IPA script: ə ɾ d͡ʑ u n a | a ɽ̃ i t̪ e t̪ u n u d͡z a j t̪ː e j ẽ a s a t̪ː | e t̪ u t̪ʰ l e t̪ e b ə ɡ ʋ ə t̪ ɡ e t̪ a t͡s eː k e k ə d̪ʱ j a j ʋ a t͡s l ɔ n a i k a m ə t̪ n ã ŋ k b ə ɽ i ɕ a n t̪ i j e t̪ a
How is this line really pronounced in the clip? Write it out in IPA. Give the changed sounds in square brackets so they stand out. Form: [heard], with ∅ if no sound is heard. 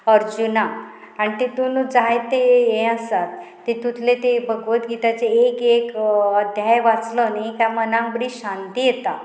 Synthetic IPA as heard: ə ɾ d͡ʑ u n a | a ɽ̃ i t̪ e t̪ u n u d͡z a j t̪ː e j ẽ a s a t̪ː | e t̪ u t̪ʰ l e t̪ e b ə ɡ ʋ ə t̪ ɡ [i] t̪ a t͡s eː k e k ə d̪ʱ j a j ʋ a t͡s l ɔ n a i k a m ə [∅] n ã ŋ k b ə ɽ i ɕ a n t̪ i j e t̪ a